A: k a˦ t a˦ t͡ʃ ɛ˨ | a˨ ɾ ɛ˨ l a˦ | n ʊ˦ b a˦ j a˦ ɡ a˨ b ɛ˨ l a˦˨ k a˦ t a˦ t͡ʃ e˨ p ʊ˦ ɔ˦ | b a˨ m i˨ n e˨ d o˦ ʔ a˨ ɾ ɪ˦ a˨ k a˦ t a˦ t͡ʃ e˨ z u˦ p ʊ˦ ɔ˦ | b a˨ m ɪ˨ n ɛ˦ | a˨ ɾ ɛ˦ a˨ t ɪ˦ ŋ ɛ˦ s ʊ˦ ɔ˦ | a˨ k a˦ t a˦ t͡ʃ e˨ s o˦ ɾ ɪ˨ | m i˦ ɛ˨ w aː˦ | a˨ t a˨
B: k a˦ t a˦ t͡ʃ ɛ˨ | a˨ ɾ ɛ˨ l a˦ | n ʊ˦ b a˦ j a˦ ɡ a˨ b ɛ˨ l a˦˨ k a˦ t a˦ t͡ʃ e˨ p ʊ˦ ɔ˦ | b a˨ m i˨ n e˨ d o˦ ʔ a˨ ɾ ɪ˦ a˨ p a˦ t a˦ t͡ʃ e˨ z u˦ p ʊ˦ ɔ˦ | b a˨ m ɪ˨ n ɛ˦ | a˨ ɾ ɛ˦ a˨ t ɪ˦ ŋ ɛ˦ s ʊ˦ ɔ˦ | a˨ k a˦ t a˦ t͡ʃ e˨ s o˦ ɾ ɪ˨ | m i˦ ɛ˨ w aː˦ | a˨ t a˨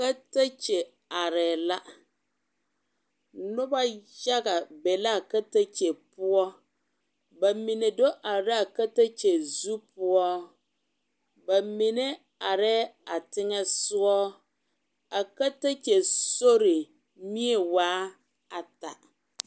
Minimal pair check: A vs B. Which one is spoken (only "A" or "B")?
A